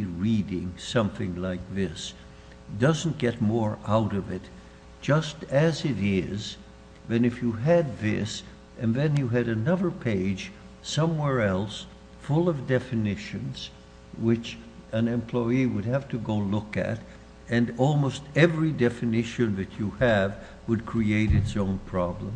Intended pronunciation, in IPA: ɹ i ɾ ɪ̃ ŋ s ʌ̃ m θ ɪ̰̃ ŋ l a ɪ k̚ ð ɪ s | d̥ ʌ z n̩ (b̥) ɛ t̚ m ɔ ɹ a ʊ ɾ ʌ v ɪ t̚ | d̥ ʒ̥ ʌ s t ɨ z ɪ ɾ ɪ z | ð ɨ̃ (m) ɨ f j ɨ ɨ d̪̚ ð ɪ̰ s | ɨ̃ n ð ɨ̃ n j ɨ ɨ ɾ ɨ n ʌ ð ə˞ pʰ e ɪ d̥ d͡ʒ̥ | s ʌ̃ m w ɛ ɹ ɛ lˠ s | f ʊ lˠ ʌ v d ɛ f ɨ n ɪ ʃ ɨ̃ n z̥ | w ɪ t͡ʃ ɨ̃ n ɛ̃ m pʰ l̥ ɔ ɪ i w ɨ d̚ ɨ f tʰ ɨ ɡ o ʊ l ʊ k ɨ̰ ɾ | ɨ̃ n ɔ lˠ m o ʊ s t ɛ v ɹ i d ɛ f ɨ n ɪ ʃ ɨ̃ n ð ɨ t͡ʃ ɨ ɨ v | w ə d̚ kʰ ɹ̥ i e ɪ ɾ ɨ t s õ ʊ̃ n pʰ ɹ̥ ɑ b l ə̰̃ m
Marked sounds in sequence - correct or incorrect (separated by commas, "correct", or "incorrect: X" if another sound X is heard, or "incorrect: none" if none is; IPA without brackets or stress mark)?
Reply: incorrect: ɡ̥, incorrect: n